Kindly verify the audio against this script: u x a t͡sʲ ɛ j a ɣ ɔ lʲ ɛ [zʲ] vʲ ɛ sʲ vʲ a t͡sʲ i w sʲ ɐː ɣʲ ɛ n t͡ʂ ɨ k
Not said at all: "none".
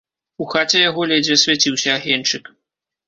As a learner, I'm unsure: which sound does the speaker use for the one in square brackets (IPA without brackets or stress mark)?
d͡zʲ